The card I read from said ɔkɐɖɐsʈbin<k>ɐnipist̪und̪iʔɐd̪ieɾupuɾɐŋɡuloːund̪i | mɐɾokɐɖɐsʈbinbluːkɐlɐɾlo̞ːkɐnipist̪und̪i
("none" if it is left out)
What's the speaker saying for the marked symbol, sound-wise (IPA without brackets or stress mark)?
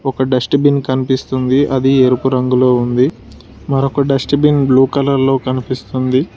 k